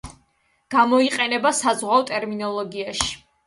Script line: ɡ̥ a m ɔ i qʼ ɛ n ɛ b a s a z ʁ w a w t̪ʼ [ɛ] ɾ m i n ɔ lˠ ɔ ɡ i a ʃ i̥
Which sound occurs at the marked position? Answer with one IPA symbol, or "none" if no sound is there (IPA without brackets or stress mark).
ɛ